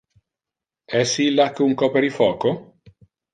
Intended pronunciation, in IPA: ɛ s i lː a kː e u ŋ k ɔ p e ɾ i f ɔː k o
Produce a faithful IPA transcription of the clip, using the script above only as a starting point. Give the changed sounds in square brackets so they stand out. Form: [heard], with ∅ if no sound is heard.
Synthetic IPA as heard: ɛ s i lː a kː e u ŋ k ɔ p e ɾ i f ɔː k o

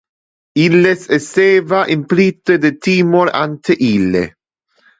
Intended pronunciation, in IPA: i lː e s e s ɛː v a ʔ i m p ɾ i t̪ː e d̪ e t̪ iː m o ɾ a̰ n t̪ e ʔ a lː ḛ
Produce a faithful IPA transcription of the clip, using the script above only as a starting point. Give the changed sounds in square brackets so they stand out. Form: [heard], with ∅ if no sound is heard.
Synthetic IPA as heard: i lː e s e s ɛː v a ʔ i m p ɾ i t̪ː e d̪ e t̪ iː m o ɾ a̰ n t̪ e ʔ [i] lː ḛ

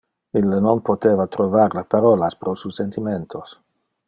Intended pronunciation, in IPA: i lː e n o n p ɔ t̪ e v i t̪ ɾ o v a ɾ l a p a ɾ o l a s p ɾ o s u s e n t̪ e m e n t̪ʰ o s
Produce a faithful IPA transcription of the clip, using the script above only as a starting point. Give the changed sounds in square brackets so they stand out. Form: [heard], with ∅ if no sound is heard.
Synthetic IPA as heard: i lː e n o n p [o] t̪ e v [a] t̪ ɾ o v a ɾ l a p a ɾ o l a s p ɾ o s u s e n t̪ [i] m e n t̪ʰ o s

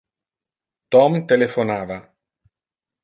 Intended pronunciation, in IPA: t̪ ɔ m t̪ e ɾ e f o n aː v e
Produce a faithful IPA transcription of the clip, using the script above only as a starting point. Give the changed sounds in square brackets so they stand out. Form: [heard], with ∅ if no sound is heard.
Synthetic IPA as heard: t̪ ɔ m t̪ e [l] e f o n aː v [a]

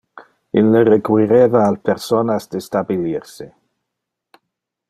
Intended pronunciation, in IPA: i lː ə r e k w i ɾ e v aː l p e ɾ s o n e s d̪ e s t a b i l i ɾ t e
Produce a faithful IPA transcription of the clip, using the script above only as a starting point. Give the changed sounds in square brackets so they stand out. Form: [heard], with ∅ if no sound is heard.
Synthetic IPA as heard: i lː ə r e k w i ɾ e v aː l p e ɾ s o n [a] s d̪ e s t a b i l i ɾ [s] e

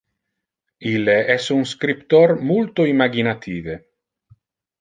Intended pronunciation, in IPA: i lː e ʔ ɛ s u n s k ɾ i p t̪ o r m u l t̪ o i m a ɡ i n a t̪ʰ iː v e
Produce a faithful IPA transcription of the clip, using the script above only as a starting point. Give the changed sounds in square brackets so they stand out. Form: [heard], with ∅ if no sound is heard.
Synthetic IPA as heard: i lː e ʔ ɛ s u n s k ɾ i p t̪ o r m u l t̪ o i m a ɡ i n a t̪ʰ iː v e

